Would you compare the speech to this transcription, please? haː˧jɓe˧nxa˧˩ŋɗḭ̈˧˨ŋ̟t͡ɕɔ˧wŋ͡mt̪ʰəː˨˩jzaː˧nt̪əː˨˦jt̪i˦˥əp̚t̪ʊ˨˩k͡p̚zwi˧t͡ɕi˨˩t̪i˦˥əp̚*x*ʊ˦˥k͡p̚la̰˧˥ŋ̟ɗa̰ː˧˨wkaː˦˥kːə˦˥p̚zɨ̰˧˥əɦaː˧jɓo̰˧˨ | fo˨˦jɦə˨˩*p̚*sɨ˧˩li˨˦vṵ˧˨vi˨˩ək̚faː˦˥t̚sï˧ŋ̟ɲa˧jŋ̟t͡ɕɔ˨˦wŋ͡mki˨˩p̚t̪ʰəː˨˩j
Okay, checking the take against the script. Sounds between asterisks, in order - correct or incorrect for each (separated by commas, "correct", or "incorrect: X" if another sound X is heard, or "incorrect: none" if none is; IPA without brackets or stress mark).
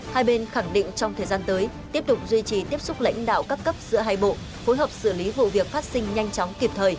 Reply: incorrect: s, correct